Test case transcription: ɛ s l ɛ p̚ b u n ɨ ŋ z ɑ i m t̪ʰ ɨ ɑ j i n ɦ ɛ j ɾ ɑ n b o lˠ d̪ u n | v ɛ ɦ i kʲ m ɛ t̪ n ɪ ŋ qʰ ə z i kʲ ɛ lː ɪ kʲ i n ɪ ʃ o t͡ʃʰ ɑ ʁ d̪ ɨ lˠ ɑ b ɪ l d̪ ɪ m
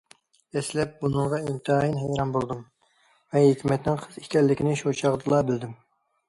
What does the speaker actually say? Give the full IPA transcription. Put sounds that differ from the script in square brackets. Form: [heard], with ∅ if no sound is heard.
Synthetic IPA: ɛ s l ɛ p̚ b u n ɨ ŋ [ʁ] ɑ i m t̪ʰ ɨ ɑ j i n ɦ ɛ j ɾ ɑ n b o lˠ d̪ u [m] | v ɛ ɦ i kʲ m ɛ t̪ n ɪ ŋ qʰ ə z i kʲ ɛ lː ɪ kʲ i n ɪ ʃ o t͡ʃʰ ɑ ʁ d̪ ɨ lˠ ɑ b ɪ l d̪ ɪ m